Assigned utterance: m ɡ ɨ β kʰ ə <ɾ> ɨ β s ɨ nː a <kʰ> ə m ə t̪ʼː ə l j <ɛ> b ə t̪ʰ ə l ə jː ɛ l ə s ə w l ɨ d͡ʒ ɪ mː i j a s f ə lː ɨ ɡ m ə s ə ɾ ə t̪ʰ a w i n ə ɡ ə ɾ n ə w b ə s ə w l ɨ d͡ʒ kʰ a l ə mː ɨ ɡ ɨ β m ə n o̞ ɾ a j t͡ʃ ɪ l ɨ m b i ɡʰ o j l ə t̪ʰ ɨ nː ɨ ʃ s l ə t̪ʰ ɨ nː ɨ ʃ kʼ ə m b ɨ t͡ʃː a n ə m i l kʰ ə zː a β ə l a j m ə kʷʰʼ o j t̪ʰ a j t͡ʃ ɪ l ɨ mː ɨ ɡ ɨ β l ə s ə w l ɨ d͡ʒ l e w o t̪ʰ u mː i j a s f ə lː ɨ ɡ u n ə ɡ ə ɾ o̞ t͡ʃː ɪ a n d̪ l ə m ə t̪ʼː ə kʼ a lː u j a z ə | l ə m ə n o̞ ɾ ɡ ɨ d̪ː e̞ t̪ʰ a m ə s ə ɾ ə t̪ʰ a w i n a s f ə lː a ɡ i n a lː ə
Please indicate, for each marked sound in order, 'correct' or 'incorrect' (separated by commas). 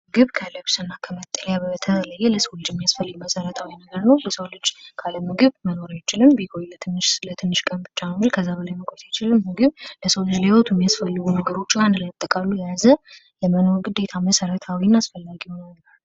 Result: incorrect, correct, incorrect